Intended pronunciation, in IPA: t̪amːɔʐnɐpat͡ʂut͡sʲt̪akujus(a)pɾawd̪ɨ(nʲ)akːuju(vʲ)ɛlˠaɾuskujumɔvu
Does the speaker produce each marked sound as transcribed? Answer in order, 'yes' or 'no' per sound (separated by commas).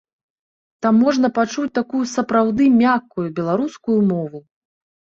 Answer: no, no, no